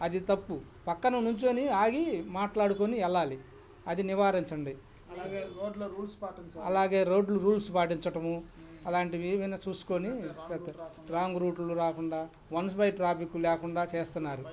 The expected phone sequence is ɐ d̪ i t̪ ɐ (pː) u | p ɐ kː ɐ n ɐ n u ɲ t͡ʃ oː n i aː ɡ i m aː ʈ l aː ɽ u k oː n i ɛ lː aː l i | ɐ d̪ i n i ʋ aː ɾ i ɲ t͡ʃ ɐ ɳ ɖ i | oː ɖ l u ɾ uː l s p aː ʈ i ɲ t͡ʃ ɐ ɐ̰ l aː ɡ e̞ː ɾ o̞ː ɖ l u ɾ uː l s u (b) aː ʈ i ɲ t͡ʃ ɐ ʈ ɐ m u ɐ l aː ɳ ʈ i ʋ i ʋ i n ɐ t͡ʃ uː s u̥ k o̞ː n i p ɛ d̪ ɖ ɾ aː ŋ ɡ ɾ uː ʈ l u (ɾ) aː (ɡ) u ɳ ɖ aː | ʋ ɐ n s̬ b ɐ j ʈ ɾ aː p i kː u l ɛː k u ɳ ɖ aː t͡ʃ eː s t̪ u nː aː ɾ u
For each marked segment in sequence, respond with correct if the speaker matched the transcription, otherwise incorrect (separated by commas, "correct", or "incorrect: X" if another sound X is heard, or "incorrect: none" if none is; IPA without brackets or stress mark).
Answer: correct, incorrect: p, correct, incorrect: k